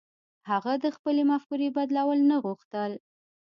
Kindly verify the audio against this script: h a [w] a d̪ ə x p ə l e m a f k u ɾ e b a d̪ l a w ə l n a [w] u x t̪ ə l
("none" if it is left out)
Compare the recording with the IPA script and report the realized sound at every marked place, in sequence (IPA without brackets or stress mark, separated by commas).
ɣ, ɣ